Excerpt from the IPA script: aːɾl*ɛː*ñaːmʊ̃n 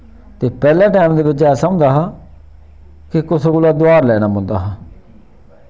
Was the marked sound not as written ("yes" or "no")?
no